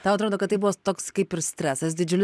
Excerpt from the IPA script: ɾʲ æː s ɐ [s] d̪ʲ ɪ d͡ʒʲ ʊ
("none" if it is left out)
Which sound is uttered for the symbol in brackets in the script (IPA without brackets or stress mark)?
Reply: s